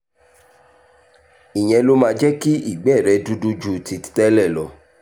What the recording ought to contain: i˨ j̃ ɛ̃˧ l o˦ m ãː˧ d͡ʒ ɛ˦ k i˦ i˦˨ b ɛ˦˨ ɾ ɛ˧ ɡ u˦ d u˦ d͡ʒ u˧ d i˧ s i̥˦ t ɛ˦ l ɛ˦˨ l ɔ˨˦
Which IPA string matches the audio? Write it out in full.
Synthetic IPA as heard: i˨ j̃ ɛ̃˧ l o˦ m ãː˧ d͡ʒ ɛ˦ k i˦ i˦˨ ɡ͡b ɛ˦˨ ɾ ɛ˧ d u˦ d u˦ d͡ʒ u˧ t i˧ t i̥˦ t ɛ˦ l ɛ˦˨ l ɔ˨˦